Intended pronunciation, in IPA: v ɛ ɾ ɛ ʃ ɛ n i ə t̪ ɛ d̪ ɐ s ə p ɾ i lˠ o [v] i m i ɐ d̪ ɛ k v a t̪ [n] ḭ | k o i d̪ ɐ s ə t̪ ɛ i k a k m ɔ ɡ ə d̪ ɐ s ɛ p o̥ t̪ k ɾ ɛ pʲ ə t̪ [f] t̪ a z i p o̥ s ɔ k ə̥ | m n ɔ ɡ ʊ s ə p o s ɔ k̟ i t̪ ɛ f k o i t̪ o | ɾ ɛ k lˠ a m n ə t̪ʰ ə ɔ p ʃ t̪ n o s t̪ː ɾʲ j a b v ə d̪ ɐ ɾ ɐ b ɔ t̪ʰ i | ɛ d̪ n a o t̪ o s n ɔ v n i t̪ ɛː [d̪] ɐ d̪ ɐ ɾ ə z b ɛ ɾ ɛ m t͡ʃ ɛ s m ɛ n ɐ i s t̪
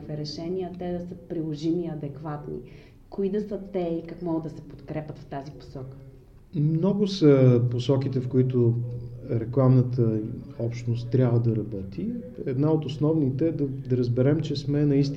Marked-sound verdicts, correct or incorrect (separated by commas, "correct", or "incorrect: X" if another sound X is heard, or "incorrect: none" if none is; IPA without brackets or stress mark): incorrect: ʒ, correct, correct, correct